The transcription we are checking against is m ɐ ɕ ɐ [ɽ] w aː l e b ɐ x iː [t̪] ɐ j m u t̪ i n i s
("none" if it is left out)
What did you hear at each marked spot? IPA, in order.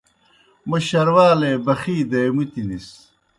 ɾ, d̪

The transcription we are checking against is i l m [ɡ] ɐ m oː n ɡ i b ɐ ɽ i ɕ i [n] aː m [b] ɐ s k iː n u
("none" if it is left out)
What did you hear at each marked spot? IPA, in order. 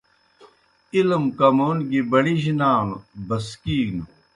k, n, b

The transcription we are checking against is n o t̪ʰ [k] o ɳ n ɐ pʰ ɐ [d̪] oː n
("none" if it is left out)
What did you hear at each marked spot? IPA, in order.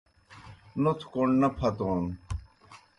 k, t̪

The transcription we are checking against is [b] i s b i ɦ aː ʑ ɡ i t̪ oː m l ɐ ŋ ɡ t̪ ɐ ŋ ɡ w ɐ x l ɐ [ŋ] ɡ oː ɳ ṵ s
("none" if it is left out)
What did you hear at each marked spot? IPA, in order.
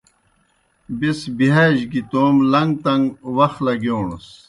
b, none

